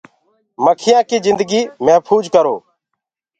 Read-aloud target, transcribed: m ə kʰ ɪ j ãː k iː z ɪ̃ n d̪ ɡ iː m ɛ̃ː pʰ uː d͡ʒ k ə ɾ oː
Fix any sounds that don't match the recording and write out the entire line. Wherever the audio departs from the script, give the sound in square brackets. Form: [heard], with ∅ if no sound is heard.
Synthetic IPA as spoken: m ə kʰ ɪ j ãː k iː z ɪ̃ n d̪ ɡ iː m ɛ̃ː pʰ uː d͡ʒ k ə ɾ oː